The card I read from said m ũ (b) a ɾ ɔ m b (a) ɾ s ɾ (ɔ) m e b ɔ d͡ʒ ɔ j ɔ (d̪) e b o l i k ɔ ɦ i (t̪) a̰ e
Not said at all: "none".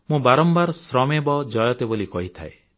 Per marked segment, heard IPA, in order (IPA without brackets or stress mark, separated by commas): b, a, ɔ, t̪, t̪ʰ